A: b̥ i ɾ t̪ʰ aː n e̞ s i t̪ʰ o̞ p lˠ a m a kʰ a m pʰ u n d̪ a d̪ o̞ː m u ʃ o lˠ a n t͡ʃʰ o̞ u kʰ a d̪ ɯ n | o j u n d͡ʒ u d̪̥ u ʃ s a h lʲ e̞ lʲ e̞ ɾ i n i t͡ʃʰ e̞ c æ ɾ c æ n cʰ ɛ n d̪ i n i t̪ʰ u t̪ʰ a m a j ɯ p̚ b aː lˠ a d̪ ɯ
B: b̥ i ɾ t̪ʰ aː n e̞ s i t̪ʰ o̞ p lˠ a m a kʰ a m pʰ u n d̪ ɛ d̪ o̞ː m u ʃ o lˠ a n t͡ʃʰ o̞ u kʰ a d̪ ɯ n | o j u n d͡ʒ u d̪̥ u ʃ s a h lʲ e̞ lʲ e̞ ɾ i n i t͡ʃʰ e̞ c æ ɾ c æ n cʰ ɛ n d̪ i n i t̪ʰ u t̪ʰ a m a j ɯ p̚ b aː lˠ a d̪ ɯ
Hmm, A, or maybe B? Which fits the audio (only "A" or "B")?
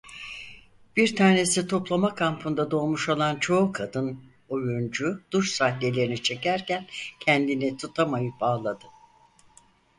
A